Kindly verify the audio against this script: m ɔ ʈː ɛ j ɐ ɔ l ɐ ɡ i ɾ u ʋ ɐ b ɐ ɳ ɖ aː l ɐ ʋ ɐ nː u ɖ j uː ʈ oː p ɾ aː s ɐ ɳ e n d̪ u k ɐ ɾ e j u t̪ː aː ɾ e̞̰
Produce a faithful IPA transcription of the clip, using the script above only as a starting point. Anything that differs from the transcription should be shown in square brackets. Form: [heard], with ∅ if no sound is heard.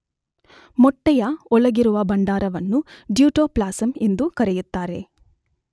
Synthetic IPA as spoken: m ɔ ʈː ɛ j ɐ ɔ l ɐ ɡ i ɾ u ʋ ɐ b ɐ ɳ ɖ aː [ɾ] ɐ ʋ ɐ nː u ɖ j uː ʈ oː p [l] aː s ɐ [m] e n d̪ u k ɐ ɾ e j u t̪ː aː ɾ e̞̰